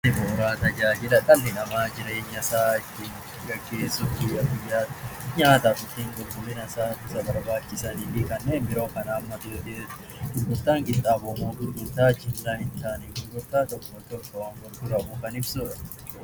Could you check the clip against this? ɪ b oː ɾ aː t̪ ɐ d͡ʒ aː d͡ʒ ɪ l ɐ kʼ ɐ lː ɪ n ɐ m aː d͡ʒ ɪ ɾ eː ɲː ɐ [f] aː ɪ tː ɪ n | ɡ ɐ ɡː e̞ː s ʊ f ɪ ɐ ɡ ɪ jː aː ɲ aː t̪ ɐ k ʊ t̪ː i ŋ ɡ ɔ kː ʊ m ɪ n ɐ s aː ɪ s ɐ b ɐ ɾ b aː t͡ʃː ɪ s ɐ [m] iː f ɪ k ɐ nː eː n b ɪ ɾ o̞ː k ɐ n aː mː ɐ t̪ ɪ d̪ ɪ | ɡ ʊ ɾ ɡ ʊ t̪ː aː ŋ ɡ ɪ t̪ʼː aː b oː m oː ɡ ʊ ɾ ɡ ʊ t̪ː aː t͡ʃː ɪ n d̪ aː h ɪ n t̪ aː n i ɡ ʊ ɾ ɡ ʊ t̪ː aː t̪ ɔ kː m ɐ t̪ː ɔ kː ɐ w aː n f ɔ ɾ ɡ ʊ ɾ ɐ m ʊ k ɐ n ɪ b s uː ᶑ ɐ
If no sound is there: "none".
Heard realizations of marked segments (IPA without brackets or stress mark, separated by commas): s, n